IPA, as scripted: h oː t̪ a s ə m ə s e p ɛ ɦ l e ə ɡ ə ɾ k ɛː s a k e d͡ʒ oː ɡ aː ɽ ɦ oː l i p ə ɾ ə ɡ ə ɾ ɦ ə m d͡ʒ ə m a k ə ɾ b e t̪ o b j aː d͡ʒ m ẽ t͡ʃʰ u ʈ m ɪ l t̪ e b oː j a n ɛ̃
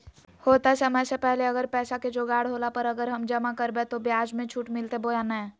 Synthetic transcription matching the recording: h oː t̪ a s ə m ə s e p ɛ ɦ l e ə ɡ ə ɾ p ɛː s a k e d͡ʒ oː ɡ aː ɽ ɦ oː l a p ə ɾ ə ɡ ə ɾ ɦ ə m d͡ʒ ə m a k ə ɾ b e t̪ o b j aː d͡ʒ m ẽ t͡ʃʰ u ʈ m ɪ l t̪ e b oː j a n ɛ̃